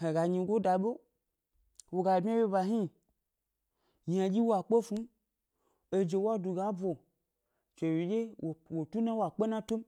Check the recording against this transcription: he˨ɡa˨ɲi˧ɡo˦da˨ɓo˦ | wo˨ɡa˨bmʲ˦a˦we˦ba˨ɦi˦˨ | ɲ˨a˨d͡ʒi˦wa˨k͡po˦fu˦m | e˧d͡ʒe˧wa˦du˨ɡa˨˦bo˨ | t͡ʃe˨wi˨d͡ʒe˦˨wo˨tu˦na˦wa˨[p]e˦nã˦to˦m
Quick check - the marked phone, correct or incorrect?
incorrect